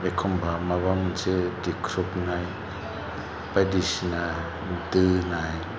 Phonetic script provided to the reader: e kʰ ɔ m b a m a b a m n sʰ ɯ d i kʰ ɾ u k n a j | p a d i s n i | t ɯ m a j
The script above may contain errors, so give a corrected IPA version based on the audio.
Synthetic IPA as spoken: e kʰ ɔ m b a m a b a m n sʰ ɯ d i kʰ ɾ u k n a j | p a d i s n a | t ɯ n a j

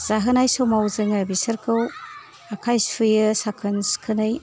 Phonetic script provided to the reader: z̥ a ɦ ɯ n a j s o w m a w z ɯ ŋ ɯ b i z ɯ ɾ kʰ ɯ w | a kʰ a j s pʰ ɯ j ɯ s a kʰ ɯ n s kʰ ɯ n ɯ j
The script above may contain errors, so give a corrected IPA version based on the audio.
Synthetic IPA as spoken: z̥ a ɦ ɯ n a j s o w m a w z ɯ ŋ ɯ b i s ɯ ɾ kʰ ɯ w | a kʰ a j s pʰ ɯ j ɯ s a kʰ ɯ n s kʰ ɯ n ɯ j

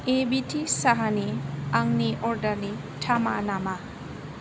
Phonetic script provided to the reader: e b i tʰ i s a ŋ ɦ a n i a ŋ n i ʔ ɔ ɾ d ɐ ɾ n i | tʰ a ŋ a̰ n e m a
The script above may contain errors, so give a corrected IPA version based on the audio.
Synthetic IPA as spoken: e b i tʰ i s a ɦ a n i a ŋ n i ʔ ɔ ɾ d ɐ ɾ n i | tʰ a m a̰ n a m a

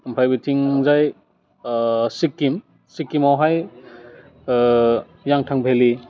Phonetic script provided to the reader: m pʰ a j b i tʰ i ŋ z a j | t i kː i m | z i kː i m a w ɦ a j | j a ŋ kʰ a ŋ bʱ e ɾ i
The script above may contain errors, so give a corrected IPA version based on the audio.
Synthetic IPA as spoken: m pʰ a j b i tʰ i ŋ z a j | s i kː i m | s i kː i m a w ɦ a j | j a ŋ tʰ a ŋ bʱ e l i

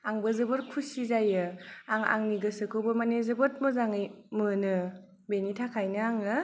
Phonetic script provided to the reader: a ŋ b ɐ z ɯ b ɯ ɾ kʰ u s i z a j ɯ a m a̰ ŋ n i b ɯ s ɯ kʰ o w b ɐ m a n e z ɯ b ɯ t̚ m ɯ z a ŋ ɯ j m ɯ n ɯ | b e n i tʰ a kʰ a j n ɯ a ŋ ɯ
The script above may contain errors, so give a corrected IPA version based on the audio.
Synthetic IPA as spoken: a ŋ b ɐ z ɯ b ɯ ɾ kʰ u s i z a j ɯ a ŋ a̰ ŋ n i ɡ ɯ s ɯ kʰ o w b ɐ m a n e z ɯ b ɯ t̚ m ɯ z a ŋ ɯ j m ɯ n ɯ | b e n i tʰ a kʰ a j n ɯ a ŋ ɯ

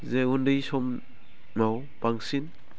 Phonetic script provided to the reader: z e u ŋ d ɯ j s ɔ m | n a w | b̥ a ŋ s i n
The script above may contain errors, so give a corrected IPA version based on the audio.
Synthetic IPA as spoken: z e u n d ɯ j s ɔ m | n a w | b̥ a ŋ s i n

